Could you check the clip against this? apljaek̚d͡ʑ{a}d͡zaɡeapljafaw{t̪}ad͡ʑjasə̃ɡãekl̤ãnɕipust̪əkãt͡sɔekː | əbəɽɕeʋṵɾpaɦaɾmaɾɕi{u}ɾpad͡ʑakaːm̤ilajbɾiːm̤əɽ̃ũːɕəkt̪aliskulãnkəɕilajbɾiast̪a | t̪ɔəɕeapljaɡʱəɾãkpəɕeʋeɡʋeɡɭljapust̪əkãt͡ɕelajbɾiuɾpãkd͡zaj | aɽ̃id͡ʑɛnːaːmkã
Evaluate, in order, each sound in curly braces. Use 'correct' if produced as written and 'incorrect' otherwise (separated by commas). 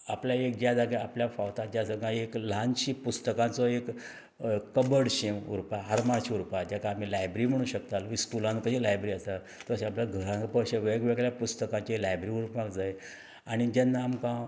correct, correct, correct